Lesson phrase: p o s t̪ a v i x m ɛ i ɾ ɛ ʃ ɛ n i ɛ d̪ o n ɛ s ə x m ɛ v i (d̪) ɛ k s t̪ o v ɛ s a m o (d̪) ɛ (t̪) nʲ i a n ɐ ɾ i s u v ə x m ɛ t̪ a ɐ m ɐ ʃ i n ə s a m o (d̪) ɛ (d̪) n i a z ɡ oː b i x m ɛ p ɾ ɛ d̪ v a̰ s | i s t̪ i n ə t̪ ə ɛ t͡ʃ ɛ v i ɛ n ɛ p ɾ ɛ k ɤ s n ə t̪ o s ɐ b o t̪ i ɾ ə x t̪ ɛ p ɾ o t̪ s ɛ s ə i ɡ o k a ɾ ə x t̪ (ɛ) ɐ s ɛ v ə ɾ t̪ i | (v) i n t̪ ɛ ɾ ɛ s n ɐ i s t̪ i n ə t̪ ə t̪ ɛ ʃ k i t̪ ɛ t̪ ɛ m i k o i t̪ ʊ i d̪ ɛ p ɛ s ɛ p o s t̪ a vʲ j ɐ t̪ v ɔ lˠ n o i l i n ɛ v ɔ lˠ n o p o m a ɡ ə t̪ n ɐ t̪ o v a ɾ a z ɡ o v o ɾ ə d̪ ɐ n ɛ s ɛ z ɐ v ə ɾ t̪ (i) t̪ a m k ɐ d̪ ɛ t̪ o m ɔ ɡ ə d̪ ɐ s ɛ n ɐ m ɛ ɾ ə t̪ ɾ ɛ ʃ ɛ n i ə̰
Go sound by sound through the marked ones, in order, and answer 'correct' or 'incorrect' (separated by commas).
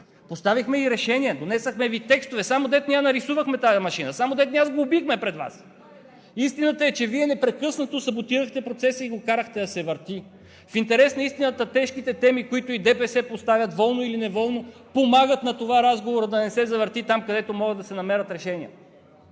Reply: incorrect, correct, correct, correct, incorrect, correct, incorrect, correct